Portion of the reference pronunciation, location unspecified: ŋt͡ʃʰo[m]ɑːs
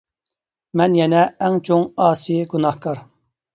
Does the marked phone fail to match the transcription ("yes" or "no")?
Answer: yes